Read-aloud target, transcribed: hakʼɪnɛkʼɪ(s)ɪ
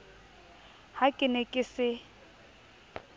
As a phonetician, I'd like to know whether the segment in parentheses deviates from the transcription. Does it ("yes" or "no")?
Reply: no